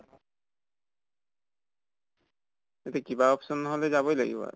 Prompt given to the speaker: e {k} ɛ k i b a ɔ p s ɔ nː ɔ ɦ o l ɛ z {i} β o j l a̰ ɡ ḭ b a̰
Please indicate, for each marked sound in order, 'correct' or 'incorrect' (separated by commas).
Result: incorrect, incorrect